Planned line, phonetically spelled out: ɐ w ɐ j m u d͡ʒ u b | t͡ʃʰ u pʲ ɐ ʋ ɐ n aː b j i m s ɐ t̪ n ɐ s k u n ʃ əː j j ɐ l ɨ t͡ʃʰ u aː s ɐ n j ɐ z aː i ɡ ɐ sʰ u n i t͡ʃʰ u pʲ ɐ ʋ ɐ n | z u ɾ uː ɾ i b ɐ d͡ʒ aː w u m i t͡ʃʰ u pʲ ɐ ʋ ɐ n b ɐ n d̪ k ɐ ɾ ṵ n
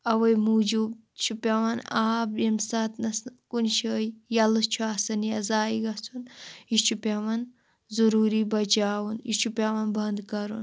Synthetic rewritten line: ɐ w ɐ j m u d͡ʒ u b | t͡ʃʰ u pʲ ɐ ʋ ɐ n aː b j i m s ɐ t̪ n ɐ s k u n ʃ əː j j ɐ l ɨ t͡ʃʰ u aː s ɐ n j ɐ z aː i ɡ ɐ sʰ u n i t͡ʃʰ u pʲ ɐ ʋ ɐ n | z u ɾ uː ɾ i b ɐ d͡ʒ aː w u n i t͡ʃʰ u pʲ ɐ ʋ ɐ n b ɐ n d̪ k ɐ ɾ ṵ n